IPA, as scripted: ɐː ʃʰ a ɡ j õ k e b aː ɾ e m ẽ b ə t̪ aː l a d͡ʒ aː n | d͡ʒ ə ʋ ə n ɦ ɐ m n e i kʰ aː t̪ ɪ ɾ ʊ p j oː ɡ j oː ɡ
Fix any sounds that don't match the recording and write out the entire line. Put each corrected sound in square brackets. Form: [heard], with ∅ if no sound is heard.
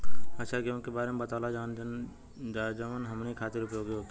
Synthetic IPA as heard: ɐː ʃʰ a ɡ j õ k e b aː ɾ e m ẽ b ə t̪ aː l a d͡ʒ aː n | d͡ʒ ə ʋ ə n ɦ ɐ m n e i kʰ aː t̪ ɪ ɾ ʊ p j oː ɡ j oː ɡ